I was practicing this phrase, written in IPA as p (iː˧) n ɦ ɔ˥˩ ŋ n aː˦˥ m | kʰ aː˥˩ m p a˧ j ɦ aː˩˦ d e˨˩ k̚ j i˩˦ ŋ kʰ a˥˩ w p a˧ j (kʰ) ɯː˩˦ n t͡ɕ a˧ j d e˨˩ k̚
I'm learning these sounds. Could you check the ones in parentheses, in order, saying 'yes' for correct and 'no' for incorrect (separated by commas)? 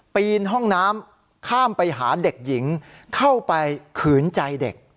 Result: yes, yes